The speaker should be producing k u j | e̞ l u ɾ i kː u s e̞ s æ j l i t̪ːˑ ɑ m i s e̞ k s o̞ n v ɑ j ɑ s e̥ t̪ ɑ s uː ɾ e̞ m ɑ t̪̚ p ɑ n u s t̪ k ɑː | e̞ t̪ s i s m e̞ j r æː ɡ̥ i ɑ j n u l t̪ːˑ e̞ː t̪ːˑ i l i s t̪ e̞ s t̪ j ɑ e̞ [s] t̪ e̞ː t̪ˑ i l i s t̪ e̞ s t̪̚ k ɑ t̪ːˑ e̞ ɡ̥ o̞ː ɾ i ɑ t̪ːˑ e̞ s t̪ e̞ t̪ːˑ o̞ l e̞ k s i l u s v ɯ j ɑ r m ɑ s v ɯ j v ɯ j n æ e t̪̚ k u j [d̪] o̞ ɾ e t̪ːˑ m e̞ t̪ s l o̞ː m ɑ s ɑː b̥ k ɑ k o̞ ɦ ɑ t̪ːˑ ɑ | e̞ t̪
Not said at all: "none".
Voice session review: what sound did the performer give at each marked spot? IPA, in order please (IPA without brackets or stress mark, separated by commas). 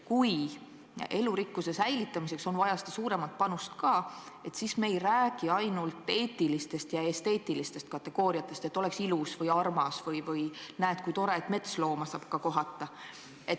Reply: s, t̪